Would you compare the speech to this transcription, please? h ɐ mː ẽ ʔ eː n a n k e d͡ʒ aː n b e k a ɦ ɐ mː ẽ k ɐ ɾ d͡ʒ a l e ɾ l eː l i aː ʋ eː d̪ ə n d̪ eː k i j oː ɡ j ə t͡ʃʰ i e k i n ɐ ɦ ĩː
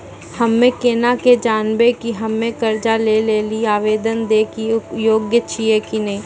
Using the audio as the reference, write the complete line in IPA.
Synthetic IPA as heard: h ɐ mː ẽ k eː n a k e d͡ʒ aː n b e k i ɦ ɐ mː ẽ k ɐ ɾ d͡ʒ a l e l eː l i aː ʋ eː d̪ ə n d̪ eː k i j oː ɡ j ə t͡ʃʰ i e k i n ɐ ɦ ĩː